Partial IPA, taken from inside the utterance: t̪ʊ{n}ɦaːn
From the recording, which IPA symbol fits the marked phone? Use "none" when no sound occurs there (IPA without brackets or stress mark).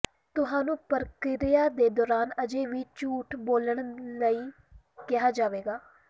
none